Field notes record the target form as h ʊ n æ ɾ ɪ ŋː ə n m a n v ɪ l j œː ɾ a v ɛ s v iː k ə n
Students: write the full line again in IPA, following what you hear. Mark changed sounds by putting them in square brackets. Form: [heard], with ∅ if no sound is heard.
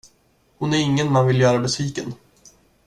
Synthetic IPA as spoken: h ʊ n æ ɾ ɪ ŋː ə n m a n v ɪ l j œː ɾ a [b] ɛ s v iː k ə n